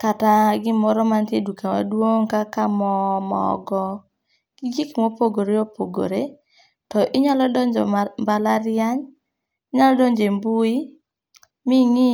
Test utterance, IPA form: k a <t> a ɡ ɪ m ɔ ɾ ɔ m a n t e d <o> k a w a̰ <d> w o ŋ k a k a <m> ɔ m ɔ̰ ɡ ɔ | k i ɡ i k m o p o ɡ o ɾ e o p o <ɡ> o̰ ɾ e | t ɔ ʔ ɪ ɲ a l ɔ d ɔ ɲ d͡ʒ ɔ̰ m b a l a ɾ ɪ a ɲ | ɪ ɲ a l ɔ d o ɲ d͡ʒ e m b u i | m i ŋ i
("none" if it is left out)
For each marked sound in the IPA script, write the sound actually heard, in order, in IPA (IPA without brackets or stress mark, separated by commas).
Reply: t, u, d, m, ɡ